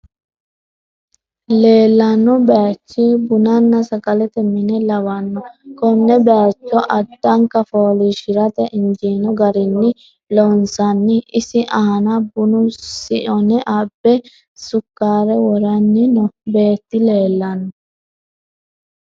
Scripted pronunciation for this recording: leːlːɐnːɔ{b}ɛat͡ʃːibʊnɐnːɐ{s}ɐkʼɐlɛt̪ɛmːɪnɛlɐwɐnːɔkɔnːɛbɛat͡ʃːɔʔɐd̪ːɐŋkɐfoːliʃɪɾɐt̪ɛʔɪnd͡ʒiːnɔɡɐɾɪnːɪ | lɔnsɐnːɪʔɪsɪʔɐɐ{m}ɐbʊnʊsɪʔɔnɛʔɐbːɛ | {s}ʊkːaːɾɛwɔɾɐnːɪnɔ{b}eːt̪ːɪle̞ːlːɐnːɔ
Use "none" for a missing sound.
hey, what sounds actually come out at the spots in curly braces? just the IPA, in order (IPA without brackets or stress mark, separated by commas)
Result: b, s, n, s, b